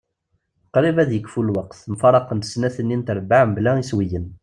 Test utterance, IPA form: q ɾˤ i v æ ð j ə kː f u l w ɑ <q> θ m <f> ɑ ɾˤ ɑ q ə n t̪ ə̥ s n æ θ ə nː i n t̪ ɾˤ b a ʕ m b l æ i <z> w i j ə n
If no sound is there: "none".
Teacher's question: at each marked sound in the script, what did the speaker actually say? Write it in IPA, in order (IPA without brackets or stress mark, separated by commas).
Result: q, f, s